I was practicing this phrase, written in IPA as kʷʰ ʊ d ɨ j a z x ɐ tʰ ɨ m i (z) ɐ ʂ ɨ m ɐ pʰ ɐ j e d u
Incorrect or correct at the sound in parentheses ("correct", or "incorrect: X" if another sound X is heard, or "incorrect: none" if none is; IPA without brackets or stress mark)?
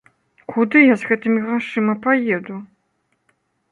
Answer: incorrect: ʁ